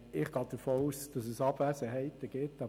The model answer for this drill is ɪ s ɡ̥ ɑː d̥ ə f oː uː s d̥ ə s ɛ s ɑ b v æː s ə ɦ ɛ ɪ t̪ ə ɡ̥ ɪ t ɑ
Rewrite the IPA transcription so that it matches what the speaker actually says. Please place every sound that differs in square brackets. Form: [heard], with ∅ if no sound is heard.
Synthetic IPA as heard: ɪ [χ] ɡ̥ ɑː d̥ ə f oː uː s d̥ [ɑ] s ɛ s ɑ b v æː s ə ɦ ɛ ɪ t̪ ə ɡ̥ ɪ t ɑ